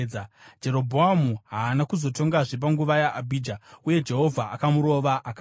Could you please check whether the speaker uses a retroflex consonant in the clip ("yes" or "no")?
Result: yes